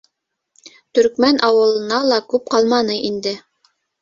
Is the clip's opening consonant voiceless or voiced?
voiceless